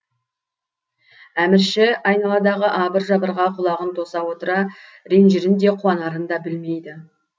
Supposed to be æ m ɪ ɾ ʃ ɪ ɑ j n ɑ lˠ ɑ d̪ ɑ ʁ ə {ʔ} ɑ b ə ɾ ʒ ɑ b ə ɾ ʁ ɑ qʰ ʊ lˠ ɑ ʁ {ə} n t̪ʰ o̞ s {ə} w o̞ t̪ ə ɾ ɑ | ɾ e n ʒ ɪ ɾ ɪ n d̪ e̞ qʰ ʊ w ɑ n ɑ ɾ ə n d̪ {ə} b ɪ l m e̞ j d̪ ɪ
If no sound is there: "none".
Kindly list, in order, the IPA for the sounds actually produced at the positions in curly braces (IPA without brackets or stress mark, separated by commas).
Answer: ʔ, ə, ɑ, ɑ